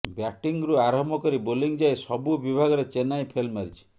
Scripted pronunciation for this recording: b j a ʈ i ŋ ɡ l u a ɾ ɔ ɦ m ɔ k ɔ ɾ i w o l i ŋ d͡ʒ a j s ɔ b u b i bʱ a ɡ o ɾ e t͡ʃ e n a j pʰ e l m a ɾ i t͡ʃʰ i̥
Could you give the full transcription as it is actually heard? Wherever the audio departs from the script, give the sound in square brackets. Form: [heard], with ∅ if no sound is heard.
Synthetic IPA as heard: b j a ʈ i ŋ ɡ [ɾ] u a ɾ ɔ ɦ m ɔ k ɔ ɾ i [b] o l i ŋ d͡ʒ a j s ɔ b u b i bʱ a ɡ [ɔ] ɾ e t͡ʃ e n a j pʰ e l m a ɾ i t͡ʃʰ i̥

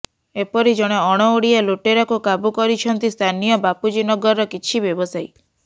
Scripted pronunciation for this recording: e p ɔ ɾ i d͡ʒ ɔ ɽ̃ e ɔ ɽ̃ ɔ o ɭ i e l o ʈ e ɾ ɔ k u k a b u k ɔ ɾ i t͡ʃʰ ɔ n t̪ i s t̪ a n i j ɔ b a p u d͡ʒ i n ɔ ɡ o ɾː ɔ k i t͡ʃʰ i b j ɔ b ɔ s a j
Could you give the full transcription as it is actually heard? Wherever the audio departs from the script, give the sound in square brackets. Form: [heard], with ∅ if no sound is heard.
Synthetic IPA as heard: e p ɔ ɾ i d͡ʒ ɔ ɽ̃ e ɔ ɽ̃ ɔ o [ɽ] i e l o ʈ e ɾ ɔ k u k a b u k ɔ ɾ i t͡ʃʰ ɔ n t̪ i s [t̪ʰ] a n i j ɔ b a p u d͡ʒ i n ɔ ɡ [ɔ] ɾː ɔ k i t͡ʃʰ i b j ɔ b ɔ s a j

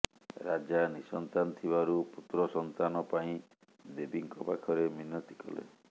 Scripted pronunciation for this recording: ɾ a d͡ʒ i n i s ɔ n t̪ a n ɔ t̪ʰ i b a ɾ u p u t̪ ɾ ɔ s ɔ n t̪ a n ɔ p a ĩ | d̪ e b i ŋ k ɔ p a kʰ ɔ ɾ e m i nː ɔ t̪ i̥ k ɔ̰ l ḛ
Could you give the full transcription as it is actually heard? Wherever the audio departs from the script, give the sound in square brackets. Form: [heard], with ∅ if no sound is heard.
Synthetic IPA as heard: ɾ a d͡ʒ [a] n i s ɔ n t̪ a n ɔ t̪ʰ i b a ɾ u p u t̪ ɾ ɔ s ɔ n t̪ a n ɔ p a ĩ | d̪ e b i ŋ k ɔ p a kʰ ɔ ɾ e m i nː ɔ t̪ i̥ k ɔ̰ l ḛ

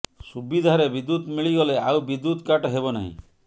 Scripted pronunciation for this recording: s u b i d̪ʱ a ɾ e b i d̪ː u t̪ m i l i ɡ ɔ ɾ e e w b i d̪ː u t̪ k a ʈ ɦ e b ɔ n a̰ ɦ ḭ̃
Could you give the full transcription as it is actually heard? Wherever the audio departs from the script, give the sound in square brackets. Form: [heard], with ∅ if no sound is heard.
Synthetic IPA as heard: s u b i d̪ʱ a ɾ e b i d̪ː u t̪ m i [ɭ] i ɡ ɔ [l] e [a] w b i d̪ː u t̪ k a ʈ ɦ e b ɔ n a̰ ɦ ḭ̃

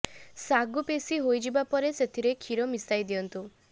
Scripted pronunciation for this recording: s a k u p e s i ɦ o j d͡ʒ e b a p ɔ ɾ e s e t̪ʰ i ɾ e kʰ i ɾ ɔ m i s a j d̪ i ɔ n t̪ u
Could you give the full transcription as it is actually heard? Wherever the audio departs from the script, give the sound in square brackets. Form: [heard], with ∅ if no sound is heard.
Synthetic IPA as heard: s a [ɡ] u p e s i ɦ o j d͡ʒ [i] b a p ɔ ɾ e s e t̪ʰ i ɾ e kʰ i ɾ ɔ m i s a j d̪ i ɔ n t̪ u

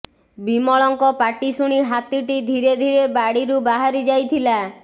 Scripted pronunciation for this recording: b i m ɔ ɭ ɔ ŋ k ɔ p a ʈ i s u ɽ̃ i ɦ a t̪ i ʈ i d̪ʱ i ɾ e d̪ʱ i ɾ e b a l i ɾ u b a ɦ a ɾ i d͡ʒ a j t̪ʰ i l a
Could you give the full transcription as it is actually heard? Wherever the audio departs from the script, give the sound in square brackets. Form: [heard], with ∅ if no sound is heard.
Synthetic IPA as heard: b i m ɔ ɭ ɔ ŋ k ɔ p a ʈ i s u ɽ̃ i ɦ a t̪ i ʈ i d̪ʱ i ɾ e d̪ʱ i ɾ e b a [ɽ] i ɾ u b a ɦ a ɾ i d͡ʒ a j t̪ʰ i l a

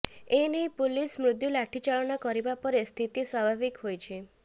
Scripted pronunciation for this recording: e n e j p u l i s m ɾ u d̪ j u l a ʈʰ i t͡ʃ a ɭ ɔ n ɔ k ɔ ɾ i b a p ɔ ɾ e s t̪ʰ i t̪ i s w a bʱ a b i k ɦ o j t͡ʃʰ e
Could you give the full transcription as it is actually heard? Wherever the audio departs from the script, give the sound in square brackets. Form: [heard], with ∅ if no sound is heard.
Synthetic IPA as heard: e n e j p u l i s m ɾ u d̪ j u l a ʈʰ i t͡ʃ a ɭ ɔ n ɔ k ɔ ɾ i b a p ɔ ɾ e s t̪ʰ i t̪ i s w a bʱ a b i k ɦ o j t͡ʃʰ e

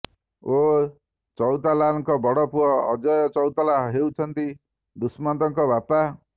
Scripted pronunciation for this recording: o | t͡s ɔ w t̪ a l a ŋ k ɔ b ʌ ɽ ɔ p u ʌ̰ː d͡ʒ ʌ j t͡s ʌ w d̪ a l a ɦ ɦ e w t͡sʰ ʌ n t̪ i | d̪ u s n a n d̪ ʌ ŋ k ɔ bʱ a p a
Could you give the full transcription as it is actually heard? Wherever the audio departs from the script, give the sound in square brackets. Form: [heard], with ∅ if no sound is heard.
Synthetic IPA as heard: o | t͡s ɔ w t̪ a l a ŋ k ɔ b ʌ ɽ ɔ p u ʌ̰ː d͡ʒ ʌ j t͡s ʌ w [t̪] a l a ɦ ɦ e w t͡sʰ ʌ n t̪ i | d̪ u s [m] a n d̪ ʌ ŋ k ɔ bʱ a p a

